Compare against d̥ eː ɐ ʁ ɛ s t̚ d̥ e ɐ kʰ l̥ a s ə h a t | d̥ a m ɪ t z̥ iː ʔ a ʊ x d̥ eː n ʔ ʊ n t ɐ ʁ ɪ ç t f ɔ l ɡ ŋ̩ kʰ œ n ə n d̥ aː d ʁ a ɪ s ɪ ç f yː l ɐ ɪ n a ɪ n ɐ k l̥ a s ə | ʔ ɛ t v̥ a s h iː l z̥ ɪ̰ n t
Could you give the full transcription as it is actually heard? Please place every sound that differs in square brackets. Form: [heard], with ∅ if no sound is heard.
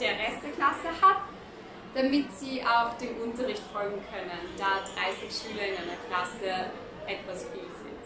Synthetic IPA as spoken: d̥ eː ɐ ʁ ɛ s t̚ d̥ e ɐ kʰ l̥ a s ə h a t | d̥ a m ɪ t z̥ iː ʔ a ʊ x d̥ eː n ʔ ʊ n t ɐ ʁ ɪ ç t f ɔ l ɡ ŋ̩ kʰ œ n ə n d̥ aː d ʁ a ɪ s ɪ ç [ʃ] yː l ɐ ɪ n a ɪ n ɐ k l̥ a s ə | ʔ ɛ t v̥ a s [f] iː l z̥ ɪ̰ n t